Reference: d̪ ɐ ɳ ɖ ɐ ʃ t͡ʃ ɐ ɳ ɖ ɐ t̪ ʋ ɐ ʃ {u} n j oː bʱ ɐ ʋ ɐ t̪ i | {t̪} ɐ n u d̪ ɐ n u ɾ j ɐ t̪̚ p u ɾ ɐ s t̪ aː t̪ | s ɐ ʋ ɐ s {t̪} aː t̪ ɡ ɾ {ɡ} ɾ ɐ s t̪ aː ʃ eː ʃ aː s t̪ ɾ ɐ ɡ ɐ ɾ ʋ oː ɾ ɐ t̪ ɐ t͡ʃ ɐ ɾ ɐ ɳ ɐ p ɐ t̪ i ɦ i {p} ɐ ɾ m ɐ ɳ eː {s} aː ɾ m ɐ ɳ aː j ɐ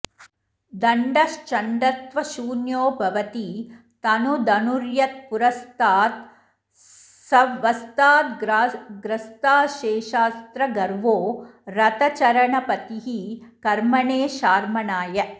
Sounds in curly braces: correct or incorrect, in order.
incorrect, correct, correct, correct, incorrect, incorrect

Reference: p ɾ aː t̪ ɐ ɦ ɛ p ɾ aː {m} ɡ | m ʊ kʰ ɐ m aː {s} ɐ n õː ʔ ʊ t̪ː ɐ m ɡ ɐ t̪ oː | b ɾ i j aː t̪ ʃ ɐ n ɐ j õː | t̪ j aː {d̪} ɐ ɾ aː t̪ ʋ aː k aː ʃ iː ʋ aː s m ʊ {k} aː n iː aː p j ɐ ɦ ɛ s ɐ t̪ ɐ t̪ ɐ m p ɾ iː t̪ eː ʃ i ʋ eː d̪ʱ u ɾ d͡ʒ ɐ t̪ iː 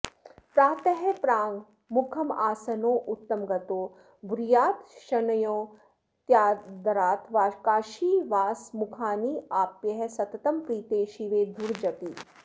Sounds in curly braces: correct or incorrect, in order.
incorrect, correct, correct, incorrect

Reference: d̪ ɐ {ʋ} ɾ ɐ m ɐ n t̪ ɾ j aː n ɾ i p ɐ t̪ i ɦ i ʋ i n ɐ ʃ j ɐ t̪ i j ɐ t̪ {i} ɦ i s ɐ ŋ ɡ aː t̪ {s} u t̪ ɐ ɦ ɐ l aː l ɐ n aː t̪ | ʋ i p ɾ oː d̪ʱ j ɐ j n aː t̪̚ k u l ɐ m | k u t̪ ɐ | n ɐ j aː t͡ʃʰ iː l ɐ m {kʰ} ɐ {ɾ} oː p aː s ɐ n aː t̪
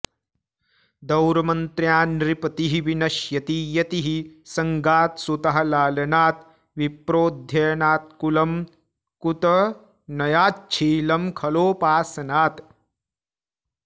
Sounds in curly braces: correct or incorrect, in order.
incorrect, correct, correct, correct, incorrect

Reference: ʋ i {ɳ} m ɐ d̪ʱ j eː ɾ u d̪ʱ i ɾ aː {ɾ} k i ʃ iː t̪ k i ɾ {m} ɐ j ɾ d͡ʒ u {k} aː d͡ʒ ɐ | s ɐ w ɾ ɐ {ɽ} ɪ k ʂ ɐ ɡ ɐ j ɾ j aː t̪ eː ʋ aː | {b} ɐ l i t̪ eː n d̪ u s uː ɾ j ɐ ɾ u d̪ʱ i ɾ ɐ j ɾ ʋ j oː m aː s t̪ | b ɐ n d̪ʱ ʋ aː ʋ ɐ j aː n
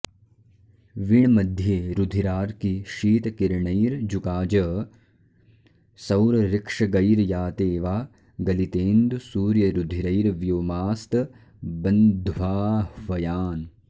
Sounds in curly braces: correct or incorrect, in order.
correct, correct, incorrect, correct, incorrect, incorrect

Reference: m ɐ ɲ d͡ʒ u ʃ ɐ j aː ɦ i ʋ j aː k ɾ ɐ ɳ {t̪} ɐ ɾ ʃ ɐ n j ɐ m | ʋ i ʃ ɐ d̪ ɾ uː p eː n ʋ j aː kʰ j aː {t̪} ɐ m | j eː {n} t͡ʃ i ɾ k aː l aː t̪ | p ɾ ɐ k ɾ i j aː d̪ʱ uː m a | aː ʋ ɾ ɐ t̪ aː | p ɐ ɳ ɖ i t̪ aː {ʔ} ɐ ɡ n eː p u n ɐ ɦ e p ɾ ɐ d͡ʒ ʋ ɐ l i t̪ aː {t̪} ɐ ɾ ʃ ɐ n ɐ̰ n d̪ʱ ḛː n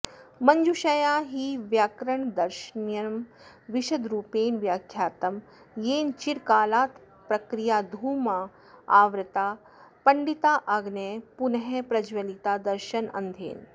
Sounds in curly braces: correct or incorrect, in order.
incorrect, correct, correct, correct, incorrect

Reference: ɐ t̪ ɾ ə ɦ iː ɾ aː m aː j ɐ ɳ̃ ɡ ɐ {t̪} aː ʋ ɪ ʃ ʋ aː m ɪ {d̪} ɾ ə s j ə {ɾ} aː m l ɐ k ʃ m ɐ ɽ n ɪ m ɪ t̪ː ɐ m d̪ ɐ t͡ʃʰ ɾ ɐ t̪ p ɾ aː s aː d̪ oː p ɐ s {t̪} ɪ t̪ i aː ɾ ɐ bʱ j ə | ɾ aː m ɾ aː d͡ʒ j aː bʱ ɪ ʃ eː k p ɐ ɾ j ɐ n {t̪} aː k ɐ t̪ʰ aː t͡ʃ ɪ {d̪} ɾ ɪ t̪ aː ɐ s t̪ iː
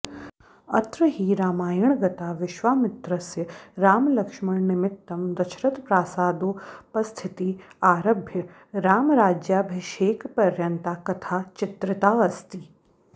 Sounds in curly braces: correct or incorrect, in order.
correct, incorrect, correct, incorrect, correct, incorrect

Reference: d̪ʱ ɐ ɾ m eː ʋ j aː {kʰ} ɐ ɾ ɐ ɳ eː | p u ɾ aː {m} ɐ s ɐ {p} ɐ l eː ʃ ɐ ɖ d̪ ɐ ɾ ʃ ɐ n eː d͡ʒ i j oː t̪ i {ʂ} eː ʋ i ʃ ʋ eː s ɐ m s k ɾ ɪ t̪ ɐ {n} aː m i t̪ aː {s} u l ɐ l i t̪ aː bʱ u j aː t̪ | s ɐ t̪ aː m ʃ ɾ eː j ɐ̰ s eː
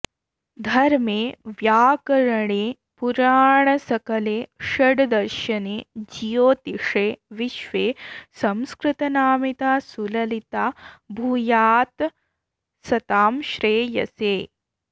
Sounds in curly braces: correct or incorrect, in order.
incorrect, incorrect, incorrect, correct, correct, correct

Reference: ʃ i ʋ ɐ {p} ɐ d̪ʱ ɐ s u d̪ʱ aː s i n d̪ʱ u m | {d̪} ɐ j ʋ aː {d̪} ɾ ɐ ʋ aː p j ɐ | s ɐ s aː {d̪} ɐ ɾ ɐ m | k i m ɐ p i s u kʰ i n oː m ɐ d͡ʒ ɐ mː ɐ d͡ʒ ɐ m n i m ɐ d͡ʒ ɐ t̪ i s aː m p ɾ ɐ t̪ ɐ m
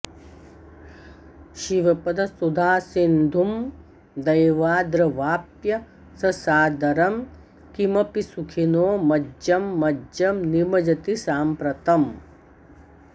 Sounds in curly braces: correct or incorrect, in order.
correct, correct, correct, correct

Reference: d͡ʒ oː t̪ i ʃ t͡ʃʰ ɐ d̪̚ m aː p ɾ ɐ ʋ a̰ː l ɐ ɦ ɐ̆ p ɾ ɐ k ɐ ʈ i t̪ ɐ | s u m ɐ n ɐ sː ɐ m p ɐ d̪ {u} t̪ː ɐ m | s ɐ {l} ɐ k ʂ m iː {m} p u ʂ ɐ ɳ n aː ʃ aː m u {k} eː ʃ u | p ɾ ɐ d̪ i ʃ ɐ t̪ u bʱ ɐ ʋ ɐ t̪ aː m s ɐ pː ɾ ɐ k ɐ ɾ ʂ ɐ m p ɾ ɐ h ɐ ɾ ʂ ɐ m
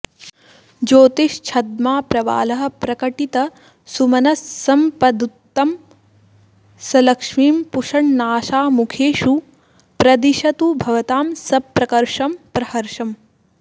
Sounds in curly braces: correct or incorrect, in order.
correct, correct, correct, incorrect

